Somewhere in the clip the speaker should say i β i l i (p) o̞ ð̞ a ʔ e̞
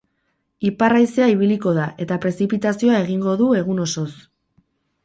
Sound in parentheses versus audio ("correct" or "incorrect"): incorrect